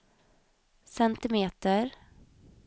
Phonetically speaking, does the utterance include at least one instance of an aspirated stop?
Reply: no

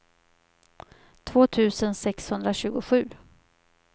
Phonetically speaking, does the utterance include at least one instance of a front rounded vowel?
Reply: no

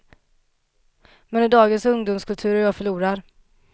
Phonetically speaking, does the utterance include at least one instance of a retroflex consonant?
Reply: yes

